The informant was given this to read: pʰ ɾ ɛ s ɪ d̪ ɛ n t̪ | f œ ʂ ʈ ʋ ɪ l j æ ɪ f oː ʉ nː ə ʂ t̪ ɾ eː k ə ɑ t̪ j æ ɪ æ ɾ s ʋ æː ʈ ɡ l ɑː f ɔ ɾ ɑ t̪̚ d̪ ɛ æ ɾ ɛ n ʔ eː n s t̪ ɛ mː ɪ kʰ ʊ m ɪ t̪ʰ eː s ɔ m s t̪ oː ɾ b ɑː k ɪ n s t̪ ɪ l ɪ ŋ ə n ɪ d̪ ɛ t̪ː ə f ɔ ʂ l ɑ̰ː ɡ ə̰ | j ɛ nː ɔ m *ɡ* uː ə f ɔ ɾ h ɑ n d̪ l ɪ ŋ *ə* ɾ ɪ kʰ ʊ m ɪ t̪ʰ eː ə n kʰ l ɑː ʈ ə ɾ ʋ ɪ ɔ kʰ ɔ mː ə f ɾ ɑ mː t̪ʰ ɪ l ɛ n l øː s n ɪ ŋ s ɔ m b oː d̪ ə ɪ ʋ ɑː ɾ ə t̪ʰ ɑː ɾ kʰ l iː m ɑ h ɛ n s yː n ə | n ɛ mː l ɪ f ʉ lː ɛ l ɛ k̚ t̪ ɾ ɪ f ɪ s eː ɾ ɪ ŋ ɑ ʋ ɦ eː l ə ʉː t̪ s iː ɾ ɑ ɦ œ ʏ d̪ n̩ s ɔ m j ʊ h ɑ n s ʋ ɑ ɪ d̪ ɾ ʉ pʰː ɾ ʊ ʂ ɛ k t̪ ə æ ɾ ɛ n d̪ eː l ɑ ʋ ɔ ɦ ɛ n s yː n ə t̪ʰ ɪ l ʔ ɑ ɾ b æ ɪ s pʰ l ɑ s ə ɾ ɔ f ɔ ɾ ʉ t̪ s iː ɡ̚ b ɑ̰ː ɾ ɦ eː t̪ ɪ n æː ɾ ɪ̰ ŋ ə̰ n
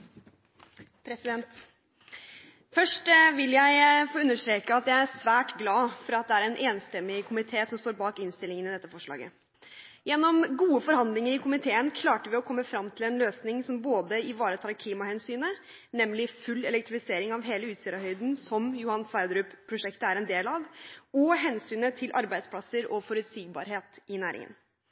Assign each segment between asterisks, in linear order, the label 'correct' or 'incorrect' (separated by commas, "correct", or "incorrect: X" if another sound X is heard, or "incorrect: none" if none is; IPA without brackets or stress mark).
correct, correct